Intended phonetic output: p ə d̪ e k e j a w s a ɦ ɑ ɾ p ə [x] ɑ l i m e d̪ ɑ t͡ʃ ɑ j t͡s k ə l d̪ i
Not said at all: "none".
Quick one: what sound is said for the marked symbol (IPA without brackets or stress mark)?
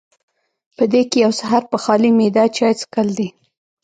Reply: x